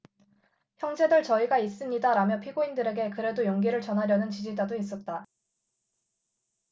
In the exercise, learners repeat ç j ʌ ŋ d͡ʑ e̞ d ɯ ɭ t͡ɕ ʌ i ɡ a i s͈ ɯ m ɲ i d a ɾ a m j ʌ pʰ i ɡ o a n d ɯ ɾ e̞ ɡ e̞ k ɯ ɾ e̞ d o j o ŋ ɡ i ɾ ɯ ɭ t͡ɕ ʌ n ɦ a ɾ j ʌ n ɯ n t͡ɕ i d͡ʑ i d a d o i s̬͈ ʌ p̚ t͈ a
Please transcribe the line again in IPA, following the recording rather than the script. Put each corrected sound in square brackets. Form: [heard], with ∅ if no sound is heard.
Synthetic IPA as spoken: ç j ʌ ŋ d͡ʑ e̞ d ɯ ɭ t͡ɕ ʌ i ɡ a i s͈ ɯ m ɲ i d a ɾ a m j ʌ pʰ i ɡ o [i] n d ɯ ɾ e̞ ɡ e̞ k ɯ ɾ e̞ d o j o ŋ ɡ i ɾ ɯ ɭ t͡ɕ ʌ n ɦ a ɾ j ʌ n ɯ n t͡ɕ i d͡ʑ i d a d o i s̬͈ ʌ [t̚] t͈ a